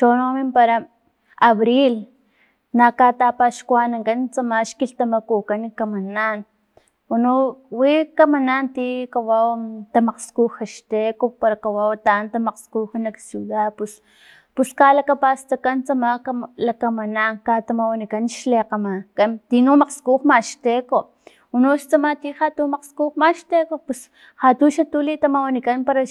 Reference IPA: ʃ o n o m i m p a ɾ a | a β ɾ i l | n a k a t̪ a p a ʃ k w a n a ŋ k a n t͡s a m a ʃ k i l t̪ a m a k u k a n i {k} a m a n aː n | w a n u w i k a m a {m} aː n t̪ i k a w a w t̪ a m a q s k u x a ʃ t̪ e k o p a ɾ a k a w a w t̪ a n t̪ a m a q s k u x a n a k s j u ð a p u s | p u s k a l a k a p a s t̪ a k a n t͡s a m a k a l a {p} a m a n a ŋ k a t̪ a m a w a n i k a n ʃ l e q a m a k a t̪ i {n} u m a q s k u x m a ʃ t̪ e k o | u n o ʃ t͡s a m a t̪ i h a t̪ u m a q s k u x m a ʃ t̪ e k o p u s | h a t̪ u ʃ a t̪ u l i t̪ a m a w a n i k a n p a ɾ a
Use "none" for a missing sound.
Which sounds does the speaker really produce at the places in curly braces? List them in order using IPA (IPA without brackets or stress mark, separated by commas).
k, n, k, n